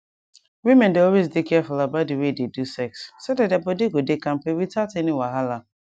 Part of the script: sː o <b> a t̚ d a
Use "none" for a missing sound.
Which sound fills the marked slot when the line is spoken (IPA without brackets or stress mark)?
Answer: d